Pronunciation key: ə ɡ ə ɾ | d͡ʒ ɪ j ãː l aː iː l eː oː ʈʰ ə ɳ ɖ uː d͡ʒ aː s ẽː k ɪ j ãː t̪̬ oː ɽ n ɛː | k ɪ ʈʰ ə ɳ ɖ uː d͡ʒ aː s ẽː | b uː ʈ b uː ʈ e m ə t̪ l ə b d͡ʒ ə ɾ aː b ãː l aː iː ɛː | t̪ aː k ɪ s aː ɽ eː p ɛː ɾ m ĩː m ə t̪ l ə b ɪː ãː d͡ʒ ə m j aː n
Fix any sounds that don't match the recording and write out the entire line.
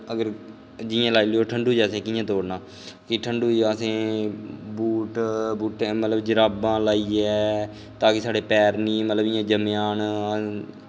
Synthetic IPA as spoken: ə ɡ ə ɾ | d͡ʒ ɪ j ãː l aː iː l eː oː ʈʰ ə ɳ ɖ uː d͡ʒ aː s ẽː k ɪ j ãː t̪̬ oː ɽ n aː | k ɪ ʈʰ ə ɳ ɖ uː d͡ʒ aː s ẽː | b uː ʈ b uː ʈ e m ə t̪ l ə b d͡ʒ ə ɾ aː b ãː l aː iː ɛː | t̪ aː k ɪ s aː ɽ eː p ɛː ɾ n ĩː m ə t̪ l ə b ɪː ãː d͡ʒ ə m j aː n